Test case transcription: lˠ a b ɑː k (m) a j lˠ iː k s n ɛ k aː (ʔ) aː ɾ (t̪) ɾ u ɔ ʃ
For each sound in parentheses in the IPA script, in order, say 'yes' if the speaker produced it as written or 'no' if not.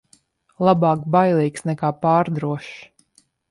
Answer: no, no, no

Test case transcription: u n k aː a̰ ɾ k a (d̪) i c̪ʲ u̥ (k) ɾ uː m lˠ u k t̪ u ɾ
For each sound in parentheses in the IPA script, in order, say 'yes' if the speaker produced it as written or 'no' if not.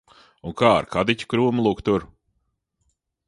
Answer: yes, yes

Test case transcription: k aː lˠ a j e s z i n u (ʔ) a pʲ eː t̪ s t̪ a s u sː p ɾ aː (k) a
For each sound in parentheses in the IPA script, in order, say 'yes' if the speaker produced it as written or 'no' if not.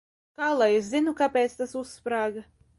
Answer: no, no

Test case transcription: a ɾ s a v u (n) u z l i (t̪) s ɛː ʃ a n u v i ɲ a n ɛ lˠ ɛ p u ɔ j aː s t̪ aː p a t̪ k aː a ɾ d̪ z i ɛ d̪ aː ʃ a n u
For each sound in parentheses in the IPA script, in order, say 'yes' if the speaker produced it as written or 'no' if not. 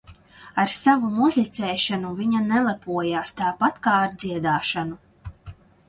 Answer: no, yes

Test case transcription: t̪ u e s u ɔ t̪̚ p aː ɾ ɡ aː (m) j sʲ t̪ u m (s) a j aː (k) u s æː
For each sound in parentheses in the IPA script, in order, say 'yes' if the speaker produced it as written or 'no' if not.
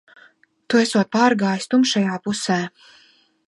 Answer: no, no, no

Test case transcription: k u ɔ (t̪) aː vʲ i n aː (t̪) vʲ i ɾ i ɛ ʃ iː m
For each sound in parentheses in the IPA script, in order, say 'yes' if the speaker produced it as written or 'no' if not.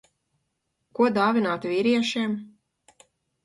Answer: no, yes

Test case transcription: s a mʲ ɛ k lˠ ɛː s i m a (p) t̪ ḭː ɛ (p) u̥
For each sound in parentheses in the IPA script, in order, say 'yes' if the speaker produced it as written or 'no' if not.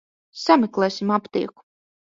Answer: yes, no

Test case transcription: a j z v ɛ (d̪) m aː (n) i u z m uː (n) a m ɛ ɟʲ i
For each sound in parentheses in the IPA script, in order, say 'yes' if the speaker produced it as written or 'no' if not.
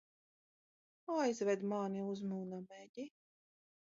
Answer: yes, yes, yes

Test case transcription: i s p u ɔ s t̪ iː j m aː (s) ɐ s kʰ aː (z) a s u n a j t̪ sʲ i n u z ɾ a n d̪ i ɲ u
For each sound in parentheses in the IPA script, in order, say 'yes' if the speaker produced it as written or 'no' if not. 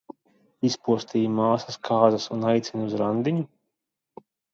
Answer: yes, yes

